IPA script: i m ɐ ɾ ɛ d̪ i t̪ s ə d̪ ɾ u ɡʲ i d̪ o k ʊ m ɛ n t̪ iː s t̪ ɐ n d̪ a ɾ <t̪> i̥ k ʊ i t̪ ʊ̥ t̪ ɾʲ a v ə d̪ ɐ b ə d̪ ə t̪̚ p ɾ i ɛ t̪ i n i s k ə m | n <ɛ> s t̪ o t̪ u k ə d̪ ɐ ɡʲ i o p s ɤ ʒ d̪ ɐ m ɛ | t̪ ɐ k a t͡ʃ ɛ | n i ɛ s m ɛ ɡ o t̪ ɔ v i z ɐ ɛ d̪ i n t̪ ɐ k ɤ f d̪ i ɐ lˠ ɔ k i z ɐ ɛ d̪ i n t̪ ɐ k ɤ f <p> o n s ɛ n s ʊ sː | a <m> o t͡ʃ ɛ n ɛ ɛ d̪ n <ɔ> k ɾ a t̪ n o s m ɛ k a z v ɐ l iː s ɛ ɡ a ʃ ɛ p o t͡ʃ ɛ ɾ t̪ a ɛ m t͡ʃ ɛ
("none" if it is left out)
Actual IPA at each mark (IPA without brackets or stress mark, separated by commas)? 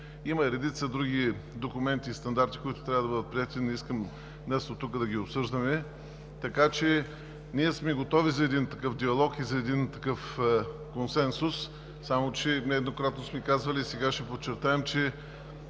t̪, ɛ, k, m, o